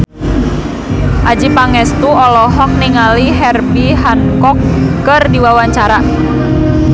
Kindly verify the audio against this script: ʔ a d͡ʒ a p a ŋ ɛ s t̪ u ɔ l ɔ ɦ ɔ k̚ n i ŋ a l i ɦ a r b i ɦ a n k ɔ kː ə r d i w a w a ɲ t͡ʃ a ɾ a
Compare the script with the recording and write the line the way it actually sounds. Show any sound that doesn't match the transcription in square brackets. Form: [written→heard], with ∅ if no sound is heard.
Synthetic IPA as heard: ʔ a d͡ʒ [a→i] p a ŋ ɛ s t̪ u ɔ l ɔ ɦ ɔ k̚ n i ŋ a l i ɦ [a→ɛ] r b i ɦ a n k ɔ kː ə r d i w a w a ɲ t͡ʃ a ɾ a